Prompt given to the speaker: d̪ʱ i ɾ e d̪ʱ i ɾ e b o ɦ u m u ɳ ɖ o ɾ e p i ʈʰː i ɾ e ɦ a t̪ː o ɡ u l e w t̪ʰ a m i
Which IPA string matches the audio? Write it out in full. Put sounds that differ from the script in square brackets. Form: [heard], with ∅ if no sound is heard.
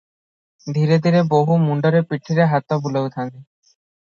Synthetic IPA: d̪ʱ i ɾ e d̪ʱ i ɾ e b o ɦ u m u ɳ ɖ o ɾ e p i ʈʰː i ɾ e ɦ a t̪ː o [b] u l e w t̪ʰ a [n] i